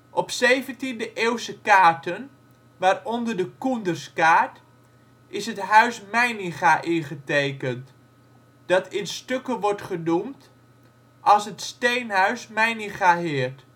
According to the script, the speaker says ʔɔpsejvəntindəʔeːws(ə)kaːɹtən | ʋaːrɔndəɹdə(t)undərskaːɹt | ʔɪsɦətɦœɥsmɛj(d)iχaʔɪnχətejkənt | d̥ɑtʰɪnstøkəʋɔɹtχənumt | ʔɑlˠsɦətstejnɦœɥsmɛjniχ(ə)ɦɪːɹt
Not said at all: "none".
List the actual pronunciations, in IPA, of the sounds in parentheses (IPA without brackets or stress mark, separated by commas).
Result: ə, k, n, a